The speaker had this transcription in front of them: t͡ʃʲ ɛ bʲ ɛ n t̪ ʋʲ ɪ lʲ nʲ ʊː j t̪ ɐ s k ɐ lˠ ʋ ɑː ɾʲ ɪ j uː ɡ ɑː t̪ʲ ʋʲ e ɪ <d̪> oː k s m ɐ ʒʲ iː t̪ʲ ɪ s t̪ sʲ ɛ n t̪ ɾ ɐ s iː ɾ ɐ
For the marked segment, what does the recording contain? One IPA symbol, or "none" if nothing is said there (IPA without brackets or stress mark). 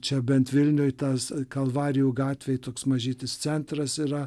t̪